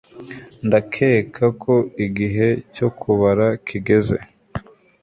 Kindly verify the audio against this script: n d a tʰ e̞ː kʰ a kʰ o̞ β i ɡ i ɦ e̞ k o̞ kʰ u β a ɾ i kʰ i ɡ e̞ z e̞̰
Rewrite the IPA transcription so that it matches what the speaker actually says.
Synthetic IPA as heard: n d a kʰ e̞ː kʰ a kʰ o̞ i ɡ i ɦ e̞ c o̞ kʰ u β a ɾ a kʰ i ɡ e̞ z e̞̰